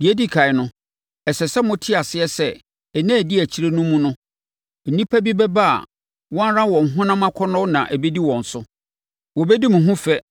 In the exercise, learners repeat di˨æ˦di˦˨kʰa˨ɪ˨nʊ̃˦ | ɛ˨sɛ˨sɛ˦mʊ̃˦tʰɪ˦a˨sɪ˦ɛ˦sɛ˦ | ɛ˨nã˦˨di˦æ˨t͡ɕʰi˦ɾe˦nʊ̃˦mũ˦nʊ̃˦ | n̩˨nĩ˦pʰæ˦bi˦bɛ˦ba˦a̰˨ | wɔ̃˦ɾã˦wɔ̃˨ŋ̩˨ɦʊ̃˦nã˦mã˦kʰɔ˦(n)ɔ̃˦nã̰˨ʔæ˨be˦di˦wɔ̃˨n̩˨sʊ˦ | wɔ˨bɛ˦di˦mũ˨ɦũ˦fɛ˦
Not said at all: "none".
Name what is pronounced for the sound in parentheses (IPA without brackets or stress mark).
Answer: n